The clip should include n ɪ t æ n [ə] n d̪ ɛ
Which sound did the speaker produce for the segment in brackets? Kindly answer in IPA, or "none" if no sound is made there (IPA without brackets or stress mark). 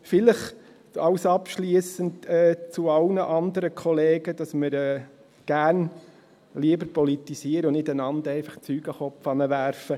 ɑ